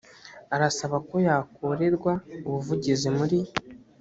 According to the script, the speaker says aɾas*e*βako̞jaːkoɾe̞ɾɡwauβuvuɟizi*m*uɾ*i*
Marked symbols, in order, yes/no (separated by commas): no, yes, yes